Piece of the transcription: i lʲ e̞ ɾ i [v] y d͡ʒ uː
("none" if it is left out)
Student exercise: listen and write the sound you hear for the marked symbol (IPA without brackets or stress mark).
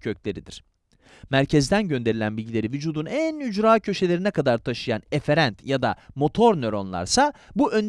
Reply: v